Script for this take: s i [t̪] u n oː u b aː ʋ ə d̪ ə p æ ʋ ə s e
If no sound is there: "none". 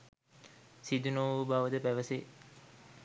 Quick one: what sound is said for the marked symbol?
d̪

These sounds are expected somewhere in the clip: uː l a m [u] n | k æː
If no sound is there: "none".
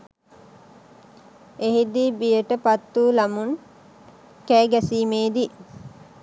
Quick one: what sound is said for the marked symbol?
u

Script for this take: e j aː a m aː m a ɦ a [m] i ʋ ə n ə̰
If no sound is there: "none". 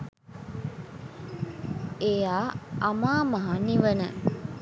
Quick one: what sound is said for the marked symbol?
n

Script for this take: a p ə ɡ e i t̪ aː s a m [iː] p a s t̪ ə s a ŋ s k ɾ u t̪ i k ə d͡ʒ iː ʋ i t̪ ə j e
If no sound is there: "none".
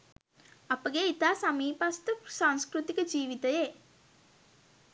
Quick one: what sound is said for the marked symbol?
iː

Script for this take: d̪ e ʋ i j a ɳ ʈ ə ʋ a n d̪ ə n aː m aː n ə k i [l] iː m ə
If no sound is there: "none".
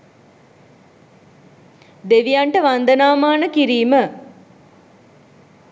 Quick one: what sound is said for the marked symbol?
ɾ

